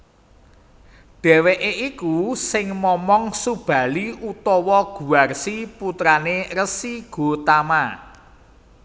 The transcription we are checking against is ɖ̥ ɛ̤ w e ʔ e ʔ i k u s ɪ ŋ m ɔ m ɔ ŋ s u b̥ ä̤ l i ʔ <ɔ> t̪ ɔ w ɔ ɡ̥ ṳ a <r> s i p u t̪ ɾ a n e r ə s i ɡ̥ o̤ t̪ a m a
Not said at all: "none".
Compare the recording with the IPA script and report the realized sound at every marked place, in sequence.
u, r

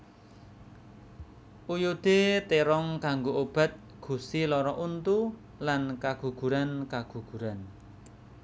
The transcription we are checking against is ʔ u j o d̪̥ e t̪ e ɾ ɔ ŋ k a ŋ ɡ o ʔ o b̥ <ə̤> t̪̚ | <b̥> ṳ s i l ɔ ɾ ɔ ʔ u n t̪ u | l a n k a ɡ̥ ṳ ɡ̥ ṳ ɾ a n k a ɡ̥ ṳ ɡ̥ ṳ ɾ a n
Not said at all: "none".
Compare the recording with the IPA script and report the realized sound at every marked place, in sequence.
a̤, ɡ̥

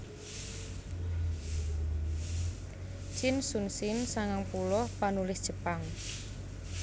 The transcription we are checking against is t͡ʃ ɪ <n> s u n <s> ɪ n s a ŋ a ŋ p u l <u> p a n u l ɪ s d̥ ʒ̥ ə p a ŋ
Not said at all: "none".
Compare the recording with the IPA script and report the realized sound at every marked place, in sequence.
n, s, ɔ

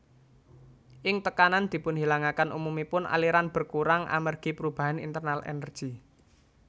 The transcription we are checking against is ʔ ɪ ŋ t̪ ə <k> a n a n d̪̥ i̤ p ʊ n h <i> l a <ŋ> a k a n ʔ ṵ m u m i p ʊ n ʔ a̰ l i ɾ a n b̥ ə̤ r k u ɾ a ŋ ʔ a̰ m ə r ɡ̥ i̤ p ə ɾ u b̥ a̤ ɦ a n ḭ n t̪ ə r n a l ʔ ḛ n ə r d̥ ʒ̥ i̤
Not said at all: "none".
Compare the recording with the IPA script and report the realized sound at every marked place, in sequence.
k, i, ŋ

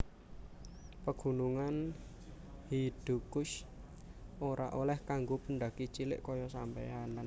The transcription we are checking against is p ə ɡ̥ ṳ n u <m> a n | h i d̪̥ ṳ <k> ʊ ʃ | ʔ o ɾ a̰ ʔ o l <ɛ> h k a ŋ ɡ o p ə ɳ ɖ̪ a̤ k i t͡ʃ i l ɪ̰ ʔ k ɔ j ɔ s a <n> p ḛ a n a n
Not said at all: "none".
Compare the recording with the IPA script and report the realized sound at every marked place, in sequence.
ŋ, k, ɛ, m

